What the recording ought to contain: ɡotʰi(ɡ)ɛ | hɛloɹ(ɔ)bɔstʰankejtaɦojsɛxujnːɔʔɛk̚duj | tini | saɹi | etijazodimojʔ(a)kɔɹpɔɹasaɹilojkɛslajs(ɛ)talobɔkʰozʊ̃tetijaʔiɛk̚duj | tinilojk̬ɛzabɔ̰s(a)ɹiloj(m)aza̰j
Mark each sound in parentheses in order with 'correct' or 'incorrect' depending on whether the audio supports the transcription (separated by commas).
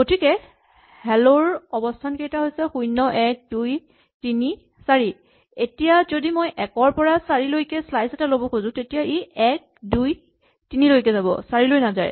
incorrect, correct, incorrect, correct, correct, incorrect